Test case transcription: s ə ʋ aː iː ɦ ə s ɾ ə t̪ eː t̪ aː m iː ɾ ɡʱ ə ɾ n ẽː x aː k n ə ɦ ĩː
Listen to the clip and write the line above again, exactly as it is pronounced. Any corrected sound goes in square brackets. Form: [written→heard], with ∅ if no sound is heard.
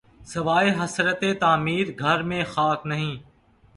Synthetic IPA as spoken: s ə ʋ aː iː ɦ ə s ɾ ə t̪ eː t̪ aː m iː ɾ ɡʱ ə ɾ [n→m] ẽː x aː k n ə ɦ ĩː